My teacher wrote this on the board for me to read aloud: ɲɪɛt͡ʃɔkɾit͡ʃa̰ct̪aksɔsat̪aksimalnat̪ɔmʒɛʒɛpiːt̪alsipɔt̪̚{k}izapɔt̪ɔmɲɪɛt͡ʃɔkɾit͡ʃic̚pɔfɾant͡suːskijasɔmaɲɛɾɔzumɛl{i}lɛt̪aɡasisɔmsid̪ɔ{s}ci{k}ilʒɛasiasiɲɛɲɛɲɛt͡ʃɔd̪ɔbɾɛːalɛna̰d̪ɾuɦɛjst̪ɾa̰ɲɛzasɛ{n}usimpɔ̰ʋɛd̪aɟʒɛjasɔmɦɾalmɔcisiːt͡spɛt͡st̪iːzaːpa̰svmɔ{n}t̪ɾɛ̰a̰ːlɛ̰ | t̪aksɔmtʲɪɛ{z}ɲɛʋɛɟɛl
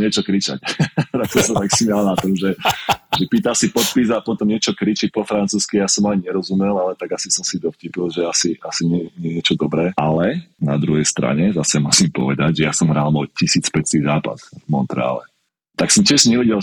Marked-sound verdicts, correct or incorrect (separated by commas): incorrect, incorrect, incorrect, incorrect, incorrect, correct, incorrect